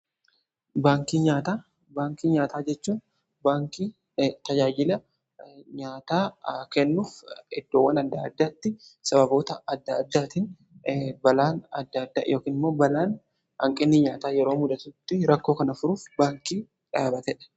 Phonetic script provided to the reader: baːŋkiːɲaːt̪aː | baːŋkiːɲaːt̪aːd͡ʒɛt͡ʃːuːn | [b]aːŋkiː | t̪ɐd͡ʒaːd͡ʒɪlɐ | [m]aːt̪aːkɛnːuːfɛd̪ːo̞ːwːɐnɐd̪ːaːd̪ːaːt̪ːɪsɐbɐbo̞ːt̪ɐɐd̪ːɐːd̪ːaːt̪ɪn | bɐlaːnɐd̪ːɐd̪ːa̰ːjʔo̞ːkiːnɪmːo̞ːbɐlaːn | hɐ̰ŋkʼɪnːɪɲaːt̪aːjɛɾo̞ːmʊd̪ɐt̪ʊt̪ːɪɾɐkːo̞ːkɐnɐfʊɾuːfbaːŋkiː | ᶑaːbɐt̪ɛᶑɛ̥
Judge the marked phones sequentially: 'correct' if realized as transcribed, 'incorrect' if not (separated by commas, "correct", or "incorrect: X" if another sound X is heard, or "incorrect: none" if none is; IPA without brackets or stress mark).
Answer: correct, incorrect: ɲ